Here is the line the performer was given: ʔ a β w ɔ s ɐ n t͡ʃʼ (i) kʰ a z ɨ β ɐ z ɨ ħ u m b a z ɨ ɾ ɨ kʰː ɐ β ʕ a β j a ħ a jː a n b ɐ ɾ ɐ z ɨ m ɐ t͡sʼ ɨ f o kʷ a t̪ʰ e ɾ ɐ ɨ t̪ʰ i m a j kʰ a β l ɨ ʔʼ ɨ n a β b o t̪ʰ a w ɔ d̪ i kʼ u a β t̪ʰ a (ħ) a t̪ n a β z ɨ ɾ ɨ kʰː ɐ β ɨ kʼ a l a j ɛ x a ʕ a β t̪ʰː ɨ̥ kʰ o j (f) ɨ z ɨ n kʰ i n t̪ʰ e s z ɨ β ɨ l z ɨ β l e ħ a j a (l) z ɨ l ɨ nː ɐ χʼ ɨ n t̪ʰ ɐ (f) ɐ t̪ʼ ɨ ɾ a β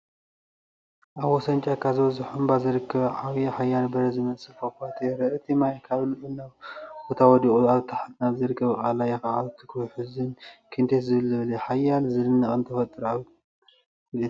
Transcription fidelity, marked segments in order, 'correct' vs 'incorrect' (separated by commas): incorrect, correct, incorrect, correct, correct